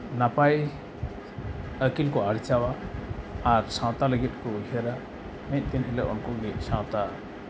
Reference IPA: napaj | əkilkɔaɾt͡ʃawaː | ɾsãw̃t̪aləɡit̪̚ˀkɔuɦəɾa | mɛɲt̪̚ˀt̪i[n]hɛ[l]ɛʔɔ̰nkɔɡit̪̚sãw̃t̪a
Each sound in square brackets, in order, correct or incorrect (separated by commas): correct, correct